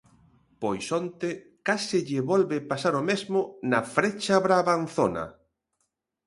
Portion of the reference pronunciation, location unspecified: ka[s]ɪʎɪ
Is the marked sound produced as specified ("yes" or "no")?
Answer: yes